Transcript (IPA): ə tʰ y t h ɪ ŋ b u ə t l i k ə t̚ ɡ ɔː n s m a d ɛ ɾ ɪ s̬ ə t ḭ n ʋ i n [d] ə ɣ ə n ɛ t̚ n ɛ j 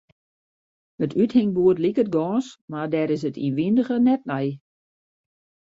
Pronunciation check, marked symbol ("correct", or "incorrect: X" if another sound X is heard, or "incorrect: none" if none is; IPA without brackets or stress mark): correct